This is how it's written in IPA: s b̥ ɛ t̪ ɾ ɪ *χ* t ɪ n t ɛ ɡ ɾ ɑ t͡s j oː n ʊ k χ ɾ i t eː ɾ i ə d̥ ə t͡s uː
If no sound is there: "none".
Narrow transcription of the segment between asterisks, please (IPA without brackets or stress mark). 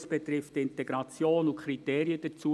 f